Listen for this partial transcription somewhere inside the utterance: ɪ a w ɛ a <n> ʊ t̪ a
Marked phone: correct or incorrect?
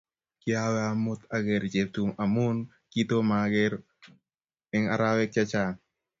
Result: incorrect